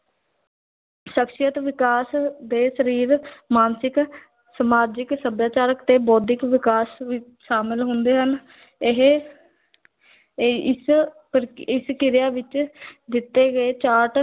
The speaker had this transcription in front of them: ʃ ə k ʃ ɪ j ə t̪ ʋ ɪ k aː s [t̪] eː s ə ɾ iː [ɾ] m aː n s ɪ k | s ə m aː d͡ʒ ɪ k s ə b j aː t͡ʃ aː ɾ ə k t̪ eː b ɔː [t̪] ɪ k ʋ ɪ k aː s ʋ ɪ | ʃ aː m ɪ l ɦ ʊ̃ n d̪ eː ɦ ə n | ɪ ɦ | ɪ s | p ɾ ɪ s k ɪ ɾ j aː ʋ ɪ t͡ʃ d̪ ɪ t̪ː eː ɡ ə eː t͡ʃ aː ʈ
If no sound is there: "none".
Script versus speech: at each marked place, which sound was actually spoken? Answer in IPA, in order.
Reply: d̪, ɾ, d̪

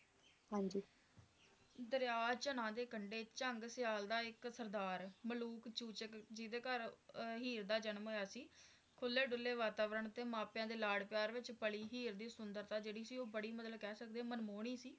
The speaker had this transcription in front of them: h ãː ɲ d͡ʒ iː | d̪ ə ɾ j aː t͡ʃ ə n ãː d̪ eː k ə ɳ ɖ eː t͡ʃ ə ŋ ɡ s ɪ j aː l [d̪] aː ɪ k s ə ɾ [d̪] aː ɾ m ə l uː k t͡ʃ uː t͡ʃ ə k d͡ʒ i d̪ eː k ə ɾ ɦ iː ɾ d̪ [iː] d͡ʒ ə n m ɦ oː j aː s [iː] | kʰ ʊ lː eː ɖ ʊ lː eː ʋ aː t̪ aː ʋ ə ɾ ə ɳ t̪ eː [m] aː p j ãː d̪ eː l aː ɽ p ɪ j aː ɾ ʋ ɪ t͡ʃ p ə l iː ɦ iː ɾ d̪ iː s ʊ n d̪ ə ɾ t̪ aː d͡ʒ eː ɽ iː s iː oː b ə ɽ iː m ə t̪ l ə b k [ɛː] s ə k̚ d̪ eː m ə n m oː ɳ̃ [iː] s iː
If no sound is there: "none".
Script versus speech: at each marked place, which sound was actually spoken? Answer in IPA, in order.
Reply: d̪, d̪, aː, iː, m, ɛː, iː

